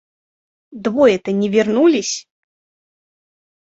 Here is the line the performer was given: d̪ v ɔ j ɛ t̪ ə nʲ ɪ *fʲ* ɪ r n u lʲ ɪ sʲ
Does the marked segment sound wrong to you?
yes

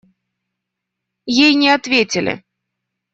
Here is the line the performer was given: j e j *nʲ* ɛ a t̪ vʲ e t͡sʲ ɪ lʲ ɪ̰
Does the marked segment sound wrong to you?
no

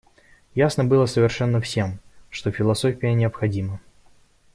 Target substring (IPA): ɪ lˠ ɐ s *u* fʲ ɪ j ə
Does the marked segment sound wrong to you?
yes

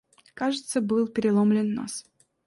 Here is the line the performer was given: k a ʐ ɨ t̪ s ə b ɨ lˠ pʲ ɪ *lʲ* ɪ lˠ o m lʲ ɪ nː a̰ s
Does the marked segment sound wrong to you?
yes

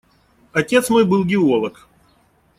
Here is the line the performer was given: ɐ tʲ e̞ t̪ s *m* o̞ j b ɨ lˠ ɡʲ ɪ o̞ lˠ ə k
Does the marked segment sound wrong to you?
no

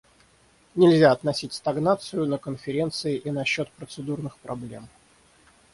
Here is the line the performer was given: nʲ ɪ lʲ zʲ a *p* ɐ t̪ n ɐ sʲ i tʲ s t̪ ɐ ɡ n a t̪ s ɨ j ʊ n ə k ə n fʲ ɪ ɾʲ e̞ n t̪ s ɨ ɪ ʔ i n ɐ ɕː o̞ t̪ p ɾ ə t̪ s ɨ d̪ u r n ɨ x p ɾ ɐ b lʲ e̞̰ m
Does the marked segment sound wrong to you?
yes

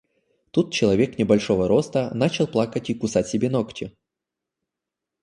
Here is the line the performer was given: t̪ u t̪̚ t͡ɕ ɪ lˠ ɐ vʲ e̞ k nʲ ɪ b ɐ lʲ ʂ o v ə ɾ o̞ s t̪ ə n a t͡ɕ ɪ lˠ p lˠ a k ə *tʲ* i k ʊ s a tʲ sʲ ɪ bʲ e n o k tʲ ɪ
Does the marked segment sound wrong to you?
no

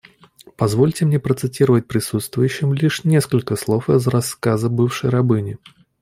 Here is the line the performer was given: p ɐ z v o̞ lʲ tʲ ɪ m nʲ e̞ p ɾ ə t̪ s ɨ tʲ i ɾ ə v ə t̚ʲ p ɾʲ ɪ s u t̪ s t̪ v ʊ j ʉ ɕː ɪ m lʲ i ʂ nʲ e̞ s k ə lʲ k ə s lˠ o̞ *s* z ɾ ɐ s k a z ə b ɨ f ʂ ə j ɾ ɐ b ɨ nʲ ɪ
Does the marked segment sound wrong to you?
yes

